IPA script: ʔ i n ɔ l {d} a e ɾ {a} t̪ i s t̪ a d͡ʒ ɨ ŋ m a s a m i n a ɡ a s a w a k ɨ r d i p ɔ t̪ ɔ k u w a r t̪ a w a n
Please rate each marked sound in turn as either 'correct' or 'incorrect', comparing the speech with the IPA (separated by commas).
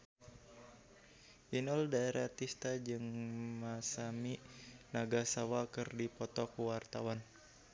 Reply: correct, correct